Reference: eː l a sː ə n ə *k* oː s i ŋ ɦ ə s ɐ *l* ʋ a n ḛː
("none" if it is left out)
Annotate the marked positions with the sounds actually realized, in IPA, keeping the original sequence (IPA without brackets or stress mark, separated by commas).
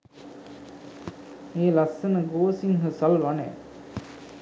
ɡ, l